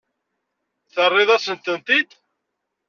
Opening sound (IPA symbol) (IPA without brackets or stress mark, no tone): θ